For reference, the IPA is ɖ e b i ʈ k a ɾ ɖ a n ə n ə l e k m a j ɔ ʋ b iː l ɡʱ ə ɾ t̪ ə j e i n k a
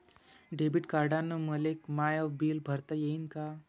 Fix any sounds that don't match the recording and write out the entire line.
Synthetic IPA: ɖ e b i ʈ k a ɾ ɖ a n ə m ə l e k m a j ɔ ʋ b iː l bʱ ə ɾ t̪ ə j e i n k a